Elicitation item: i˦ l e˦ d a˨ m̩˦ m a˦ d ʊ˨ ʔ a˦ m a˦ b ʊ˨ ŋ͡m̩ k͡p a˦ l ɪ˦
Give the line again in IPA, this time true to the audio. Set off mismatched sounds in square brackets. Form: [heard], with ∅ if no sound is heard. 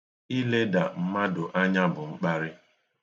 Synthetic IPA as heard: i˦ l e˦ d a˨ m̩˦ m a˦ d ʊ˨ ʔ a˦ [ɲ] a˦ b ʊ˨ ŋ͡m̩ k͡p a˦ [ɾ] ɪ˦

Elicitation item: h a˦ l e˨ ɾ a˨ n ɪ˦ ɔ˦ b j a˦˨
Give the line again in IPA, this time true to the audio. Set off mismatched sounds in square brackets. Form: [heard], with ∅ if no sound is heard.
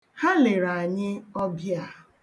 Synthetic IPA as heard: h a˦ l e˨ ɾ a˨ [ɲ] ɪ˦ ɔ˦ b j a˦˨

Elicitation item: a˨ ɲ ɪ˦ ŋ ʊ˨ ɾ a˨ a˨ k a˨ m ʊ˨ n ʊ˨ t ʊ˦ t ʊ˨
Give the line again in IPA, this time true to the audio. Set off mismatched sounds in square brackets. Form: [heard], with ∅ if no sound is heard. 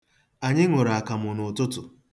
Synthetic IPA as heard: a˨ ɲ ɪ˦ ŋ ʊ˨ ɾ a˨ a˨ k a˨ m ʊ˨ n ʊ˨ t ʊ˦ t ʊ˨

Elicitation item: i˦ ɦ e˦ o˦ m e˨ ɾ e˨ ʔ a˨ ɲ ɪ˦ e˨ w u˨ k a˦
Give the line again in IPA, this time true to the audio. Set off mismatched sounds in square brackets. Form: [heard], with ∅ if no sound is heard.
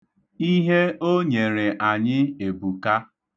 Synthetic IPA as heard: i˦ ɦ e˦ o˦ [ɲ] e˨ ɾ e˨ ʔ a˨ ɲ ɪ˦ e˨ [b] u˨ k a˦

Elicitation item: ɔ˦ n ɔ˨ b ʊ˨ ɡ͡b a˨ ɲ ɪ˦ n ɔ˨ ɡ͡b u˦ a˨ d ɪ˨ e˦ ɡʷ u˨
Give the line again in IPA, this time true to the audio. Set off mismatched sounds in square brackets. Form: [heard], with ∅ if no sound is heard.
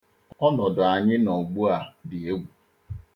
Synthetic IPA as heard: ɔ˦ n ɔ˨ [d] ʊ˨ [∅] a˨ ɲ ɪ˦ n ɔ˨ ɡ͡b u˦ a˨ d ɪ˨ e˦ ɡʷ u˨

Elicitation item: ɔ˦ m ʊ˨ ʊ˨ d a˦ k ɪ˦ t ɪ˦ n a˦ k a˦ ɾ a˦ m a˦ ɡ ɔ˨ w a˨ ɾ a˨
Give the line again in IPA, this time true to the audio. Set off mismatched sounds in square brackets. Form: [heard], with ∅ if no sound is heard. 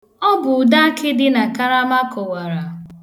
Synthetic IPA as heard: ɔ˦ [b] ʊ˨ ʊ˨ d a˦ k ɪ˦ [d] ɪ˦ n [a˨] k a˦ ɾ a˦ m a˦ [k] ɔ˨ w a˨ ɾ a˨

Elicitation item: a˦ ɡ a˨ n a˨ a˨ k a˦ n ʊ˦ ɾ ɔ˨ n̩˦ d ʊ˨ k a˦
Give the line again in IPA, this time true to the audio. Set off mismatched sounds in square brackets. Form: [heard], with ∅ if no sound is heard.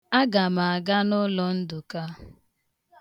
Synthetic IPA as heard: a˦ ɡ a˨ [m] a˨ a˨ [ɡ] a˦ n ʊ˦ [l] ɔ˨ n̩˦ d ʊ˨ k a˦

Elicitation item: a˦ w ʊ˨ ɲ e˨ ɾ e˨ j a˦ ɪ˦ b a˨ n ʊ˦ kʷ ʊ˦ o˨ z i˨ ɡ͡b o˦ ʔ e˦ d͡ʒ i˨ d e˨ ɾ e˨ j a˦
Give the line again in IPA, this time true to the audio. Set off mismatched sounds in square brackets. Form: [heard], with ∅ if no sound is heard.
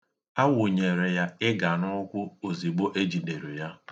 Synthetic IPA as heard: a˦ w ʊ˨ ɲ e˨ ɾ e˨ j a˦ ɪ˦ [ɡ] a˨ n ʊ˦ kʷ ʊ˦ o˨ z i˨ ɡ͡b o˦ ʔ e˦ d͡ʒ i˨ d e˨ ɾ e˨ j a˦

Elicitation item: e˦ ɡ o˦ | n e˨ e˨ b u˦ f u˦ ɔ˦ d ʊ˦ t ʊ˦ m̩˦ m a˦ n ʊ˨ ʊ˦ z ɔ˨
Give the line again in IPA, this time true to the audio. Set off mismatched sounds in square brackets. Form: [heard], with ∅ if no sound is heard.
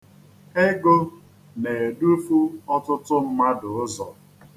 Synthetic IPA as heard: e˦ ɡ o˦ | n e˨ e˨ [d] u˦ f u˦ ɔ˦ [t] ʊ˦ t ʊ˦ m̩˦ m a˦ [d] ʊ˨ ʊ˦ z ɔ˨

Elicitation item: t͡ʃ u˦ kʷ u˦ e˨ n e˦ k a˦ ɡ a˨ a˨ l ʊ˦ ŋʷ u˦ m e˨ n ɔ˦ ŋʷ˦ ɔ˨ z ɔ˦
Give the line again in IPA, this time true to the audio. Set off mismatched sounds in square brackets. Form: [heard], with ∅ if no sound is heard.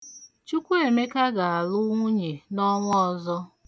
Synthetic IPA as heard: t͡ʃ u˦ kʷ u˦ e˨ [m] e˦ k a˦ ɡ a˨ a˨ l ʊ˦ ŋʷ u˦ [ɲ] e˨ n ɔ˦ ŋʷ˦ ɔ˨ z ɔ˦

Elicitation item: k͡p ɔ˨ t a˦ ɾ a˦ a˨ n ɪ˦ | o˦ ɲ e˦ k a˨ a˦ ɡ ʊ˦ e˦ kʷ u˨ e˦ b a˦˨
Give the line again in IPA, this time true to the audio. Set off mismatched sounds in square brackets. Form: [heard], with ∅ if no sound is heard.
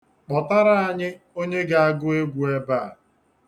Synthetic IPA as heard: k͡p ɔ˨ t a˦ ɾ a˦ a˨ [ɲ] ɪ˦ | o˦ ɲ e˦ [ɡ] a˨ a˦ ɡ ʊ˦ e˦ [ɡʷ] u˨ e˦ b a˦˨

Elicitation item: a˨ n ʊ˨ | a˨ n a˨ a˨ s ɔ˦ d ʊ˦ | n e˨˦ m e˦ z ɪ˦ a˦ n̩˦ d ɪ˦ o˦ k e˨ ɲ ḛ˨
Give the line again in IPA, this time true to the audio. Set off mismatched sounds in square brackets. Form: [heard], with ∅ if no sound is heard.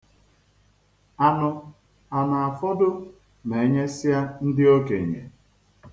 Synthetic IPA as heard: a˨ n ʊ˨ | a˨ n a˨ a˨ [f] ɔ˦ d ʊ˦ | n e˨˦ [ɲ] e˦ [s] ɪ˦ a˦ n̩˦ d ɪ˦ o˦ k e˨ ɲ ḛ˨

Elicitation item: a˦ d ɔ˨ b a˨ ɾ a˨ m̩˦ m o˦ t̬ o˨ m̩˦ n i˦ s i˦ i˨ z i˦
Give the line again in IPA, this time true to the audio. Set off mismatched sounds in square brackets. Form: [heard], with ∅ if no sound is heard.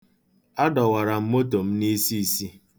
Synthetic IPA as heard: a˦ d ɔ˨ [w] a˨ ɾ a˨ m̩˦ m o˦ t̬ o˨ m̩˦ n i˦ s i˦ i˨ [s] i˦

